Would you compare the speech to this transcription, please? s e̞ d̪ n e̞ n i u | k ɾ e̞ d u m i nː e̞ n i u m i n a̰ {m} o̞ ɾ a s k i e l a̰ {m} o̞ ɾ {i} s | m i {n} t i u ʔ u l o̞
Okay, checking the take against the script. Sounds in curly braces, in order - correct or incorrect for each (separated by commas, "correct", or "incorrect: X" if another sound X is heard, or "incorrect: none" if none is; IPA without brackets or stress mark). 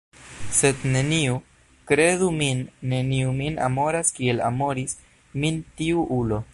correct, correct, correct, correct